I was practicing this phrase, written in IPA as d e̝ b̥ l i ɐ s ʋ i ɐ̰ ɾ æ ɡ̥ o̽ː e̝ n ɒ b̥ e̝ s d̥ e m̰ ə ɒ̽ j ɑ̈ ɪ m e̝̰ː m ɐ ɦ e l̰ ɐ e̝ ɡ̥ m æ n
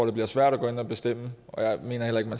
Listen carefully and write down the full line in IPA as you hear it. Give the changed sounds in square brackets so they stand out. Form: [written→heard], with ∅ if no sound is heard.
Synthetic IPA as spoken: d e̝ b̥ l i ɐ s ʋ [i→æ] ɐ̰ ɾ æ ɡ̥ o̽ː e̝ n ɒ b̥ e̝ s d̥ e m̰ ə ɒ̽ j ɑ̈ ɪ m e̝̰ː [m→n] ɐ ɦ e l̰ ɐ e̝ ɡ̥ m æ n